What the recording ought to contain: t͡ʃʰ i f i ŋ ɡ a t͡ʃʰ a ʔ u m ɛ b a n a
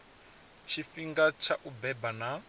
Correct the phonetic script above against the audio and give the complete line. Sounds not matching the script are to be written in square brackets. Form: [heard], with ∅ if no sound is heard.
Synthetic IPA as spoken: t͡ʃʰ i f i ŋ ɡ a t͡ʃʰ a ʔ u [b] ɛ b a n a